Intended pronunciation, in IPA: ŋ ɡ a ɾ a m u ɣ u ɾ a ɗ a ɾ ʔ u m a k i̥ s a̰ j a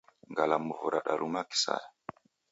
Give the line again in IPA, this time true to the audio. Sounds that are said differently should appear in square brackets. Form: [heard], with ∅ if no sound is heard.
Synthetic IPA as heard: ŋ ɡ a [l] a m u [v] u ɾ a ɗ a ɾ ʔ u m a k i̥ s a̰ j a